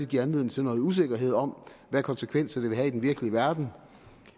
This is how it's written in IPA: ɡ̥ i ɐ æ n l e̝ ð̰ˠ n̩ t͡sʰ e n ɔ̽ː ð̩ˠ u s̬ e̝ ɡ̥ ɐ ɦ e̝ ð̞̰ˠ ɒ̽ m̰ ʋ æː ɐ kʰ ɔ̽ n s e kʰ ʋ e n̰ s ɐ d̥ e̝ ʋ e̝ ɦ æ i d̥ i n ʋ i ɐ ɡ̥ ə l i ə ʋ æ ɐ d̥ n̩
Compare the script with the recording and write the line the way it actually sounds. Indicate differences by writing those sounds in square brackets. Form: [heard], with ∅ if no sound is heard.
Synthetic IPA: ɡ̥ i ɐ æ n l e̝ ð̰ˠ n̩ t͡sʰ e n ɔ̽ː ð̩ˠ u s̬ e̝ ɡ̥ ɐ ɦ e̝ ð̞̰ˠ ɒ̽ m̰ ʋ [æ] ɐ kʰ [ɒ̽] n s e kʰ ʋ e n̰ s ɐ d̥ e̝ ʋ e̝ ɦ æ i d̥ [e] n ʋ i ɐ ɡ̥ ə l i ə ʋ æ ɐ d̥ n̩